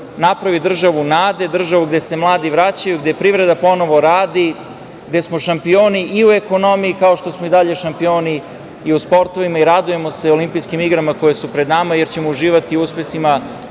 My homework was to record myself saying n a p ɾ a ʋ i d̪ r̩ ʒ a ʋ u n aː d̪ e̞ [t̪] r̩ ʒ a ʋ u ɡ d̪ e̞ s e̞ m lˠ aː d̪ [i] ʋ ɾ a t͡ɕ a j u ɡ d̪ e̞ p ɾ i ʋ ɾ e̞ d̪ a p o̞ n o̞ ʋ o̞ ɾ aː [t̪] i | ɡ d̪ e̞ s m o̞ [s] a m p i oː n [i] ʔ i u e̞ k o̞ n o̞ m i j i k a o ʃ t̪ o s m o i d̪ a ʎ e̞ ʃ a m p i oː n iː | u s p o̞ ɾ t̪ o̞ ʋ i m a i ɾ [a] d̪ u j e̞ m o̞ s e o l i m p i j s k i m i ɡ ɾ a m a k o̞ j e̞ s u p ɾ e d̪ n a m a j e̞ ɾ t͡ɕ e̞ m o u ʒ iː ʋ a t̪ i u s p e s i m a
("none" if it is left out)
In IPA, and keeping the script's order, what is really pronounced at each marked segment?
d̪, i, d̪, ʃ, i, a

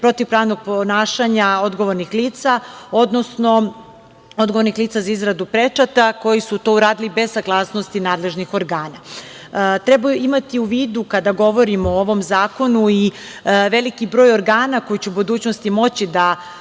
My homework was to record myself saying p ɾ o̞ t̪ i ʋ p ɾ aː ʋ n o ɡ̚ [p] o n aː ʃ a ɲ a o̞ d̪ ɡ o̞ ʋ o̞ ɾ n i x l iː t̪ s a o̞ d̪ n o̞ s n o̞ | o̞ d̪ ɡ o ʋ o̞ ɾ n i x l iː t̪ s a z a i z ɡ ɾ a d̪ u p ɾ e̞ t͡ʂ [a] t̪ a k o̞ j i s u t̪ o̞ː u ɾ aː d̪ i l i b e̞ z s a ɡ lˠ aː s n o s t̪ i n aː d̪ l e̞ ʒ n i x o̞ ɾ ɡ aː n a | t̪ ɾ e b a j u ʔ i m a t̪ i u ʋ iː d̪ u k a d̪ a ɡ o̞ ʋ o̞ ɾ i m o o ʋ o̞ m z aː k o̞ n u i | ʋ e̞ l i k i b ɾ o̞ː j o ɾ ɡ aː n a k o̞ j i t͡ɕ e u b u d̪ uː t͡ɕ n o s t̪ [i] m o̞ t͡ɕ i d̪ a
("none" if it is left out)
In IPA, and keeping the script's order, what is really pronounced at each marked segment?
p, a, i

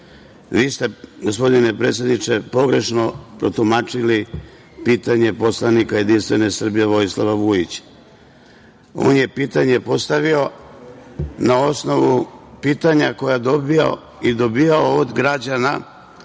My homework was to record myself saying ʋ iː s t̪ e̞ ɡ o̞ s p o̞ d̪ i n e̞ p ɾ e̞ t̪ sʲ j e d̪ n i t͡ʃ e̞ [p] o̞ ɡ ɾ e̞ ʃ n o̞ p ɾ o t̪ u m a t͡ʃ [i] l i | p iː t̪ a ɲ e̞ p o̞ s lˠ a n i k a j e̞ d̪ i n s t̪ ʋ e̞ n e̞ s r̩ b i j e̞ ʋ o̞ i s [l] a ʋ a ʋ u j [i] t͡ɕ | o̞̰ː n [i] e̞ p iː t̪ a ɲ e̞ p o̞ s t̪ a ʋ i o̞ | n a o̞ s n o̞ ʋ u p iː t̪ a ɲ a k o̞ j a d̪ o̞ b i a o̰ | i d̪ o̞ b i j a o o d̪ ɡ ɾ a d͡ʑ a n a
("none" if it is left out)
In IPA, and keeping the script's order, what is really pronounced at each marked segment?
p, i, l, i, j

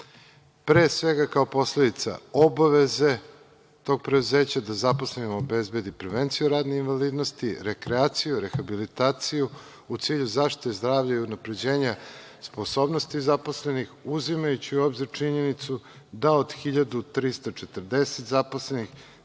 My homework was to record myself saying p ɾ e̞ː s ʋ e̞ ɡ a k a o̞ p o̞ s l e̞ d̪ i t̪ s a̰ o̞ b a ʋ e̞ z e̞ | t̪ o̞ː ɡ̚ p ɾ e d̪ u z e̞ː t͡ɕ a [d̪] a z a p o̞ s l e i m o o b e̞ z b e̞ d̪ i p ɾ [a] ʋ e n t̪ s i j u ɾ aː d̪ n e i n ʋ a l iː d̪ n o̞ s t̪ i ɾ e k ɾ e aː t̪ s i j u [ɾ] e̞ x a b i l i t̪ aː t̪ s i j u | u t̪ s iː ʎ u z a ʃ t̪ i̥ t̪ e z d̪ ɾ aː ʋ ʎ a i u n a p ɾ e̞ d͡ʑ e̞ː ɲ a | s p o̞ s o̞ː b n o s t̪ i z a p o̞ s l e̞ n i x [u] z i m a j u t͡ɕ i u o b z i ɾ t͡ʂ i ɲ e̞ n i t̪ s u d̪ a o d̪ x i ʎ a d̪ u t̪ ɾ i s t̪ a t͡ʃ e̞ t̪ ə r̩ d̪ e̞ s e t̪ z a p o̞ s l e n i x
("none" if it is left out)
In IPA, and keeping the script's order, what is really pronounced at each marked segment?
d̪, e, ɾ, u

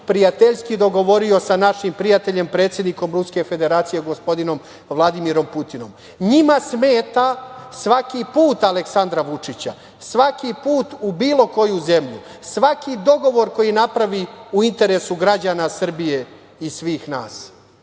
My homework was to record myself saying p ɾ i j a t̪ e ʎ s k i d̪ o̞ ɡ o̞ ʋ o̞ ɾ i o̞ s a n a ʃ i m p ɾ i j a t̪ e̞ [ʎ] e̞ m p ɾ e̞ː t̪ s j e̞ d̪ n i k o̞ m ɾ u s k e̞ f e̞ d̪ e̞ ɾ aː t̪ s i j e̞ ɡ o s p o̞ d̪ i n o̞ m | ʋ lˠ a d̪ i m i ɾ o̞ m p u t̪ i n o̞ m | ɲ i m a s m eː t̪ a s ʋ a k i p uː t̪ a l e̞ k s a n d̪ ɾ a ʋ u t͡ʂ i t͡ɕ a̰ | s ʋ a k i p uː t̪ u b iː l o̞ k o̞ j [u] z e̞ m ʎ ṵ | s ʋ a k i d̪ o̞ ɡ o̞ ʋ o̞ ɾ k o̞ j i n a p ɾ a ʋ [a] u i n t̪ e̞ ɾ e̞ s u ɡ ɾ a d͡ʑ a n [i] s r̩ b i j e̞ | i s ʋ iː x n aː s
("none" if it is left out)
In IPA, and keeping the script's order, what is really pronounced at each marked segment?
ʎ, u, i, a

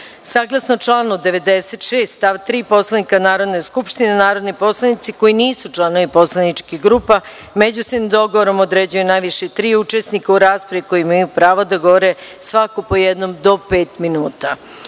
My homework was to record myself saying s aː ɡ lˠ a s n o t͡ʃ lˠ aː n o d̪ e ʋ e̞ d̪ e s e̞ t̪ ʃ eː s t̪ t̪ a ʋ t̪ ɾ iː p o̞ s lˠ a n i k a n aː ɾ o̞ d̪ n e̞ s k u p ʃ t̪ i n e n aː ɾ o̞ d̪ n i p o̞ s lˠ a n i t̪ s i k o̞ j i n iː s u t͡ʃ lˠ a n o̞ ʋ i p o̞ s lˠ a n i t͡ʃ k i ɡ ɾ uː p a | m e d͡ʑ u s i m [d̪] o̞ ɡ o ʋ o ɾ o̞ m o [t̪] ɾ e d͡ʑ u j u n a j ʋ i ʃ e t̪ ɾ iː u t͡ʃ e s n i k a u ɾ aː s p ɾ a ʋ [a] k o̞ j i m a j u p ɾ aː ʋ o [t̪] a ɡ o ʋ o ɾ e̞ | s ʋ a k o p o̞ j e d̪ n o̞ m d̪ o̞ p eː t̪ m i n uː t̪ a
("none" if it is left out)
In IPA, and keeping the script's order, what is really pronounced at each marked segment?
d̪, d̪, i, d̪

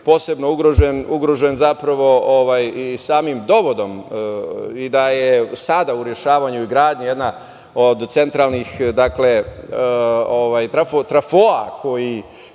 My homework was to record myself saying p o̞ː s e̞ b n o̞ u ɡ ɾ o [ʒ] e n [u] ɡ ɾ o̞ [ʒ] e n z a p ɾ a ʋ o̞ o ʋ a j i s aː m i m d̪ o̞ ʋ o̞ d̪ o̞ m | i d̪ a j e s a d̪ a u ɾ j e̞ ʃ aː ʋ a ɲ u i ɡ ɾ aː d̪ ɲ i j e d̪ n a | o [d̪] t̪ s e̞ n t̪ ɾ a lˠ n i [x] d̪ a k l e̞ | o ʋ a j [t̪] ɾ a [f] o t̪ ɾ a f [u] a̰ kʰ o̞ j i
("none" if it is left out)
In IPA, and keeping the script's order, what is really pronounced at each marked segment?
ʒ, u, ʒ, d̪, x, t̪, f, o

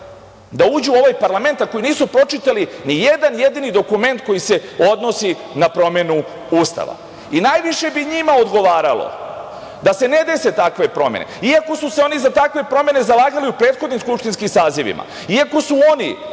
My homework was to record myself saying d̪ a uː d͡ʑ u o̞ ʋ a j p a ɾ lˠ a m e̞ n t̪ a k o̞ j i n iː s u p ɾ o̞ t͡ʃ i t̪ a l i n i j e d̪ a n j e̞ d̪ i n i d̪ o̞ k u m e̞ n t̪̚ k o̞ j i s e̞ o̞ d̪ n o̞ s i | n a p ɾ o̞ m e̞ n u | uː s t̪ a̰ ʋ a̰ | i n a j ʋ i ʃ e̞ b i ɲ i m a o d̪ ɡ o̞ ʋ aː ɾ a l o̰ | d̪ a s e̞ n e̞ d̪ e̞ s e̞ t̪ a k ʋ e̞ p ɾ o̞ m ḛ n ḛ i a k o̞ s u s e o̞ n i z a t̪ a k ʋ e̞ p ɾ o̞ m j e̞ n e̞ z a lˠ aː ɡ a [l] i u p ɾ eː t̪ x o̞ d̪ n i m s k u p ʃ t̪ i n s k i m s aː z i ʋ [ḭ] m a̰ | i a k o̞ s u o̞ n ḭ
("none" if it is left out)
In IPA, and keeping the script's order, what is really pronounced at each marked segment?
l, ḭ

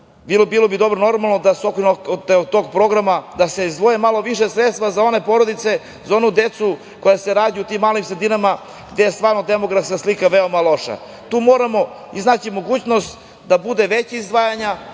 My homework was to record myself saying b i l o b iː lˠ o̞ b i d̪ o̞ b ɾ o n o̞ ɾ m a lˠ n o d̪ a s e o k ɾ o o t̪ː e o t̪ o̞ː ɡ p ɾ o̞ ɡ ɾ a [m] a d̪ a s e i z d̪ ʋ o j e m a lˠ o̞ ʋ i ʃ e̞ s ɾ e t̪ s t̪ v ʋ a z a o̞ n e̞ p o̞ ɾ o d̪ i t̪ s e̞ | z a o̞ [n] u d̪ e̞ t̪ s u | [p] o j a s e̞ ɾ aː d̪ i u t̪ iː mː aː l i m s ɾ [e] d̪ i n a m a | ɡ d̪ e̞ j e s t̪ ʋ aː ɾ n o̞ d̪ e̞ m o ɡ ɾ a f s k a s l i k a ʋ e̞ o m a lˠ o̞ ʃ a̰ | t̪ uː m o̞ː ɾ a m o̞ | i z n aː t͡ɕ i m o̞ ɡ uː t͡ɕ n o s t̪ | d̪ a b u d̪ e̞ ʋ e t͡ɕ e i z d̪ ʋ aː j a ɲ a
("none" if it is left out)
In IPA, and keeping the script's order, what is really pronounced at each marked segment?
m, n, k, e

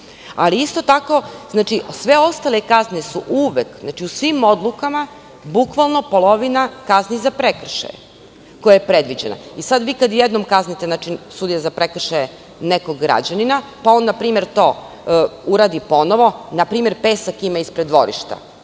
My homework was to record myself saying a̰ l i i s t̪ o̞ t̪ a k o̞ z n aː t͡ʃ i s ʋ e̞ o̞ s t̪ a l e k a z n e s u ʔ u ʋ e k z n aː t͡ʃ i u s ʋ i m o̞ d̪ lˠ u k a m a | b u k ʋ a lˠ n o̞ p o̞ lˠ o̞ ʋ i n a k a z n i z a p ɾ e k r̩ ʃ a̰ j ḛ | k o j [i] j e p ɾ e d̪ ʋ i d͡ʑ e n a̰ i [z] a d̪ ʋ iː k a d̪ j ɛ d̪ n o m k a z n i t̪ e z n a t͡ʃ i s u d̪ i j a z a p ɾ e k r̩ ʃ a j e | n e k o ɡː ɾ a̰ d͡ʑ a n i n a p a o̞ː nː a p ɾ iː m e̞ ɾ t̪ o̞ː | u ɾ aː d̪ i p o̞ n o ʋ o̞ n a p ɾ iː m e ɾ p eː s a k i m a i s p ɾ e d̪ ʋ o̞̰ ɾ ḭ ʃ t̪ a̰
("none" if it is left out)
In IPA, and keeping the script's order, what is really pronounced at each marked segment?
a, s

